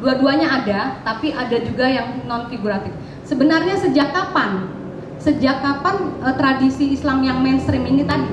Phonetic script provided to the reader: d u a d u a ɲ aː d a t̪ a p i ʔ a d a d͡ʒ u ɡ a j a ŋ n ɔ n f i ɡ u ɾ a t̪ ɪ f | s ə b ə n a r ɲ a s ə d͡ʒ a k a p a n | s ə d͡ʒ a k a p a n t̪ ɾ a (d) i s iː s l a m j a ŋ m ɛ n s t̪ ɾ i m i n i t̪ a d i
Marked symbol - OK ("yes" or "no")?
yes